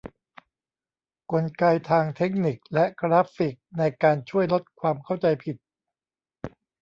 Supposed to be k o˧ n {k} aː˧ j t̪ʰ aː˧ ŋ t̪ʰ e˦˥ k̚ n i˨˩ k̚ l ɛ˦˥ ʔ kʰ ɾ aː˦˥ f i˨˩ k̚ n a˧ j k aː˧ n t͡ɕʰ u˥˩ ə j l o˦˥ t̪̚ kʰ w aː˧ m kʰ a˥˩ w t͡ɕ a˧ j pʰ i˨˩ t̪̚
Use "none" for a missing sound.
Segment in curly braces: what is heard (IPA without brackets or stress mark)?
k